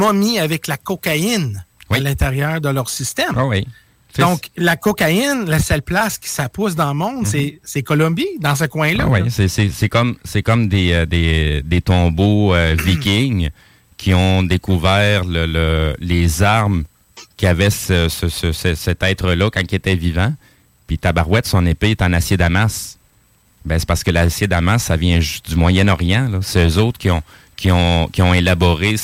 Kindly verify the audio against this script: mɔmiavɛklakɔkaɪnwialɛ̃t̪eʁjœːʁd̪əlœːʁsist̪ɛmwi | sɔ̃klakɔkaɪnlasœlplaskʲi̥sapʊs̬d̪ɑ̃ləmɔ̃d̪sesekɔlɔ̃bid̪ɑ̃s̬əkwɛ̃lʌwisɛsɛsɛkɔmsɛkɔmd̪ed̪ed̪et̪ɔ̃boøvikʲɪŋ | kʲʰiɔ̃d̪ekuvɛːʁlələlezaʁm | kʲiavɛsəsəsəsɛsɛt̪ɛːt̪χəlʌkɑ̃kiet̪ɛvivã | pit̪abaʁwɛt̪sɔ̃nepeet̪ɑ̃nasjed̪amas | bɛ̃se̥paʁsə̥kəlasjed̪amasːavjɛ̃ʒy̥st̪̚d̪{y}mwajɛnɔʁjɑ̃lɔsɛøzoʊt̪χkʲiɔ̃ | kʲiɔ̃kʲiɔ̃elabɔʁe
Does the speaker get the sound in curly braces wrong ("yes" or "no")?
no